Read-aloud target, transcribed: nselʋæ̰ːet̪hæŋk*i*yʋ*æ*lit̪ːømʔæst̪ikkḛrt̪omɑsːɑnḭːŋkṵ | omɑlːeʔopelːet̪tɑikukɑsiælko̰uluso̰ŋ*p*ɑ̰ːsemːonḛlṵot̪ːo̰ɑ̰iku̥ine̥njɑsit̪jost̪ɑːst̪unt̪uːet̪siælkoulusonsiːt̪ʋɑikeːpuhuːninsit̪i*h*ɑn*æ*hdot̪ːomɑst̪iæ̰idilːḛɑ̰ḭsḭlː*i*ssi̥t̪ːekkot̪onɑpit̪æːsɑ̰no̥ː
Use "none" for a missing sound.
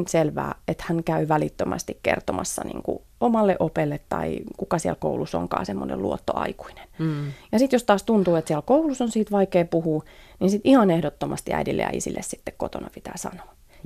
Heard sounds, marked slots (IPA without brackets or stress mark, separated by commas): æ, æ, k, h, e, e